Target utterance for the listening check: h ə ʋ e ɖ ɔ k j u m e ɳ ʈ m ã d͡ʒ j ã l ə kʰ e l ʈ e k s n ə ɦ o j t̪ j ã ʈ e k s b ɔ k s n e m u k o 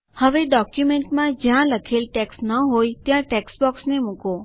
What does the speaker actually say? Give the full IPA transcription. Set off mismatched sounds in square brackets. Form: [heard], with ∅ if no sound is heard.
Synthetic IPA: h ə ʋ e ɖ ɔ k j u m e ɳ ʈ m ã d͡ʒ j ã l ə kʰ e l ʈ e k s n ə ɦ o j t̪ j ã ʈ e k s b ɔ k s n e m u k o